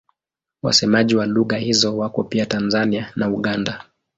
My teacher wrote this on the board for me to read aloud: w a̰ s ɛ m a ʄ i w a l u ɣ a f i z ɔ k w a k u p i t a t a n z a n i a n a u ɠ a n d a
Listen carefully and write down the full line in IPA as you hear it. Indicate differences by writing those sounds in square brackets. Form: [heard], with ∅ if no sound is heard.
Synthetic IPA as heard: w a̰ s ɛ m a ʄ i w a l u ɣ a [h] i z ɔ [∅] w a k [ɔ] p i [∅] a t a n z a n i a n a u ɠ a n d a